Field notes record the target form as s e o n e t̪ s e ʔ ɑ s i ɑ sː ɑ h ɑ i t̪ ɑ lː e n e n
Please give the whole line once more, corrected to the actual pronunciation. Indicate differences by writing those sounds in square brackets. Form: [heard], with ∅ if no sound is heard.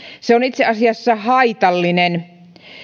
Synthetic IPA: s e o n [i] t̪ s e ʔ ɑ s i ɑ sː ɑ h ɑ i t̪ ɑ lː [i] n e n